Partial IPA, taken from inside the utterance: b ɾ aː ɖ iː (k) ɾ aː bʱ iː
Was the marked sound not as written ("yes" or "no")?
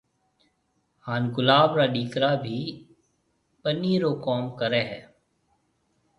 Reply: no